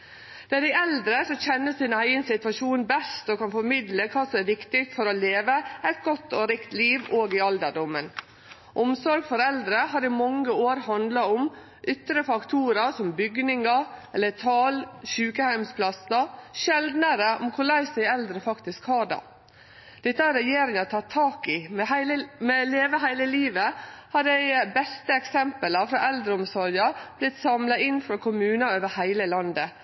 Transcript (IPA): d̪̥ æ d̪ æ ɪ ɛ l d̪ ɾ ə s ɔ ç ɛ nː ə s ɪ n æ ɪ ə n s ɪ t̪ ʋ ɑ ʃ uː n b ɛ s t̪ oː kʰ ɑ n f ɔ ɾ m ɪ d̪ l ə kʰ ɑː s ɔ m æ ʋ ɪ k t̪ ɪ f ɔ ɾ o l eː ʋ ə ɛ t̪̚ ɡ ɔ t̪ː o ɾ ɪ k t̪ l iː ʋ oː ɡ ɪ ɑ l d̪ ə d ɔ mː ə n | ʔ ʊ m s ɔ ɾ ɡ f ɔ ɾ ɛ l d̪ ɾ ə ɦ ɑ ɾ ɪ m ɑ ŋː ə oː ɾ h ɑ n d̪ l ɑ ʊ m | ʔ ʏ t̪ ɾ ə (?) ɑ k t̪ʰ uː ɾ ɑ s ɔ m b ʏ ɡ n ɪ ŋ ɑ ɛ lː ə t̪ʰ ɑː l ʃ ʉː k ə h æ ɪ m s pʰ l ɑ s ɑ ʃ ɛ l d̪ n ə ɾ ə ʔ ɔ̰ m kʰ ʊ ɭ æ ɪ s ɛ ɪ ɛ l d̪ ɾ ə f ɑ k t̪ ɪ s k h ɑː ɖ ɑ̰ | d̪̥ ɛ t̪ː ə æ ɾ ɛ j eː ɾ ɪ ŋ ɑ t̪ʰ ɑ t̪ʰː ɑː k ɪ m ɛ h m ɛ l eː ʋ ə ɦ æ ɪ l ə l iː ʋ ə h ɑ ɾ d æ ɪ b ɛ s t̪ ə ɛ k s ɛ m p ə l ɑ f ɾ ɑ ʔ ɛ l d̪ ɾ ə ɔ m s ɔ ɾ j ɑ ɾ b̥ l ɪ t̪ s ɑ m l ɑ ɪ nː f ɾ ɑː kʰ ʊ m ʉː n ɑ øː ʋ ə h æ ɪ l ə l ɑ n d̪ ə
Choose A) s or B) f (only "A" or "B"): B